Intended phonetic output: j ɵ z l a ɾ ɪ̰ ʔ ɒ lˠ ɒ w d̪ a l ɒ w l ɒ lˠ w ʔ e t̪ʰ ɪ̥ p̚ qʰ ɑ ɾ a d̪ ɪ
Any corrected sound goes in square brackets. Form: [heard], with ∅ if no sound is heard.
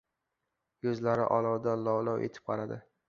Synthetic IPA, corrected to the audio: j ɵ z l a ɾ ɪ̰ ʔ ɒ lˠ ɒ w d̪ a l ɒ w l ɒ [∅] w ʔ e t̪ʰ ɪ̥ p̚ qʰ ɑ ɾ a d̪ ɪ